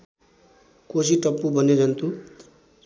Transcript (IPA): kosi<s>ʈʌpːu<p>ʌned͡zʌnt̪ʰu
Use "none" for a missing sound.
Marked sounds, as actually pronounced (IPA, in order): none, b

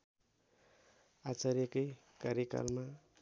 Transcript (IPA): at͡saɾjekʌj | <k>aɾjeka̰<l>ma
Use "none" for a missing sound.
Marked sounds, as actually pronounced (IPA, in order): k, l

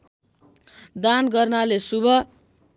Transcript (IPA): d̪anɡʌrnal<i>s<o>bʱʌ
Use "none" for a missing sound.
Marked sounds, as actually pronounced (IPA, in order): e, u

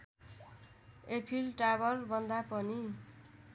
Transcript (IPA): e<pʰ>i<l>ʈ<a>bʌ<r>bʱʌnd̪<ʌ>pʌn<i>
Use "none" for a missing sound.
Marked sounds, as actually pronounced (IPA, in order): pʰ, l, a, r, a, i

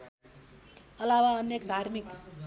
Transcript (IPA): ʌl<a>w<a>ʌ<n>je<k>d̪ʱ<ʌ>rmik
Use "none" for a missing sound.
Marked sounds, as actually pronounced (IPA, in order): a, a, n, k, a

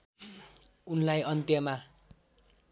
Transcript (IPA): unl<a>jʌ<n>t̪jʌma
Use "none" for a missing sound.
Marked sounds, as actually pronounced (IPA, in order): a, n

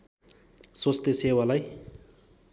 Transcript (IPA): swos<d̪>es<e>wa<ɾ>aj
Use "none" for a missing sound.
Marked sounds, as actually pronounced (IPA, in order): t̪, e, l

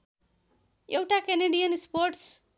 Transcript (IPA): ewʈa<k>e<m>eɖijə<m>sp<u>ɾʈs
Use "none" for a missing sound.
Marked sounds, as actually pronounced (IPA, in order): k, n, n, o

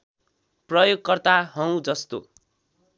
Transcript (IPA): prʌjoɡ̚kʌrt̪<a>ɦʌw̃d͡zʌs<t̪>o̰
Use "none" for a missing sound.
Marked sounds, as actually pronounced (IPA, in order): a, t̪

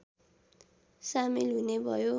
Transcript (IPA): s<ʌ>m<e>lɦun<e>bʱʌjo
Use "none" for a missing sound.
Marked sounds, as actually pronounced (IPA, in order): a, i, e

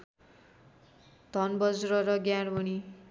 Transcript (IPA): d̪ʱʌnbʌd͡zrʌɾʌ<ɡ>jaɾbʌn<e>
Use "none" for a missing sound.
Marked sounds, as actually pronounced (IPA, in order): ɡ, i

